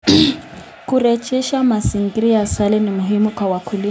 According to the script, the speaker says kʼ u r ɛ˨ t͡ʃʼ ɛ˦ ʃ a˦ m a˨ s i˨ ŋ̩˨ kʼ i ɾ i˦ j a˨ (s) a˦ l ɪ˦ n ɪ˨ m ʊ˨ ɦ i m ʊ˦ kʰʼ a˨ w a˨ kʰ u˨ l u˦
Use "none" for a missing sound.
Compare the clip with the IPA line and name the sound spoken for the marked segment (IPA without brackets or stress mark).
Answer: s